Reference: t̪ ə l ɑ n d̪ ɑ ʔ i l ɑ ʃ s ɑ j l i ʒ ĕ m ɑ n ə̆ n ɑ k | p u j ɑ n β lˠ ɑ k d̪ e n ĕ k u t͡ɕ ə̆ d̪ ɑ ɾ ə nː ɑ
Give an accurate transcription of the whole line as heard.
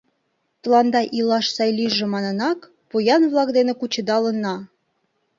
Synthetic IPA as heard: t̪ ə l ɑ n d̪ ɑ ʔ i l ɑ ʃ s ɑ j l i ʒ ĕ m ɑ n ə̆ n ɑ k | p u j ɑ n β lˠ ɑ k d̪ e n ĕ k u t͡ɕ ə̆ d̪ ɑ l ə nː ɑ